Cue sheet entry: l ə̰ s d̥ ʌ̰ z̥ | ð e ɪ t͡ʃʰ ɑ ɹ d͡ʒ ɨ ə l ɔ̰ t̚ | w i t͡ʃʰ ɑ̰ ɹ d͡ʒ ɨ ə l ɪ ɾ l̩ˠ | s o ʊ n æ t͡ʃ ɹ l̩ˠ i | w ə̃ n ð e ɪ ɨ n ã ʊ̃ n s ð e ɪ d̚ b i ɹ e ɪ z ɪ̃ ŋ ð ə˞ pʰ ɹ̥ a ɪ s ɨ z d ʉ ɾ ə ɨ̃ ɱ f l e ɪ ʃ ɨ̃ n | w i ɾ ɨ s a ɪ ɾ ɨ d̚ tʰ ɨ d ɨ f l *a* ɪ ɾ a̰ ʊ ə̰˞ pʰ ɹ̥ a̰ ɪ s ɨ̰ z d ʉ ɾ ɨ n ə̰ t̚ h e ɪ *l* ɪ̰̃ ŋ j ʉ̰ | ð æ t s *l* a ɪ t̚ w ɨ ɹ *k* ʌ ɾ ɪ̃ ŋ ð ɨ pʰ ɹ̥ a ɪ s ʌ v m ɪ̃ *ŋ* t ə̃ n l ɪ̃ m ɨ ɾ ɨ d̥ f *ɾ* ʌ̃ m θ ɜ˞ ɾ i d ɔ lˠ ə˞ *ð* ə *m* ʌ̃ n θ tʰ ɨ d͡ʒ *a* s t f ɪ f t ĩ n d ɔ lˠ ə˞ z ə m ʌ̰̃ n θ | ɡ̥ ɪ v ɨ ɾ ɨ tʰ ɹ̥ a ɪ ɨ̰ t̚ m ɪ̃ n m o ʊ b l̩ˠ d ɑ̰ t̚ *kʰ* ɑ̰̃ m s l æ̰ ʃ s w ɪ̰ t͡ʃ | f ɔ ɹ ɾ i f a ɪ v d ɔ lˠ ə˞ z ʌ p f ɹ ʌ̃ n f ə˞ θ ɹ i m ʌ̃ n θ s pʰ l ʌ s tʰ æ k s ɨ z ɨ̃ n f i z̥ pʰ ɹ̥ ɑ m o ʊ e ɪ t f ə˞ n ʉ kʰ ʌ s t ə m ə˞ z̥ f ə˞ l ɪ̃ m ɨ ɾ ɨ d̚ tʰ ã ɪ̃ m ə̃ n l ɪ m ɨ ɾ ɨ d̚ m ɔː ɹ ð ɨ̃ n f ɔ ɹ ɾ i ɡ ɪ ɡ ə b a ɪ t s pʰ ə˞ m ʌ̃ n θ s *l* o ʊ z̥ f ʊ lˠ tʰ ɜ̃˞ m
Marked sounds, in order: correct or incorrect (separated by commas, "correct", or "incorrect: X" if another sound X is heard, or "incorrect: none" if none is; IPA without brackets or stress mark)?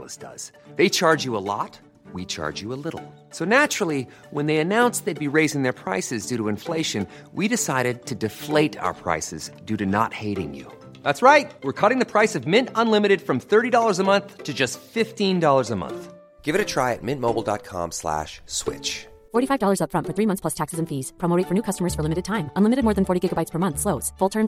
incorrect: e, incorrect: ɾ, incorrect: ɹ, incorrect: kʰ, incorrect: n, incorrect: ɹ, incorrect: z, correct, incorrect: ʌ, correct, correct